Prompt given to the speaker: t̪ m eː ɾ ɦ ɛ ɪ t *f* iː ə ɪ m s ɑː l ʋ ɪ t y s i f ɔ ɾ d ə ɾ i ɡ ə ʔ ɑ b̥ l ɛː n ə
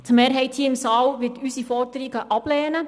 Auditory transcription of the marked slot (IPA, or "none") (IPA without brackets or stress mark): h